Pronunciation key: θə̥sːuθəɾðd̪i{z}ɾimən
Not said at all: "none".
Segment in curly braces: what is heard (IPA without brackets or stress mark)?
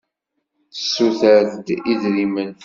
ð